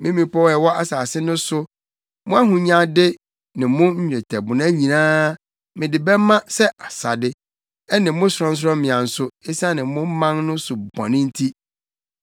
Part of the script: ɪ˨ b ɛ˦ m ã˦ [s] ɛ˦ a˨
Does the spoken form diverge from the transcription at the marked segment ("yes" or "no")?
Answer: no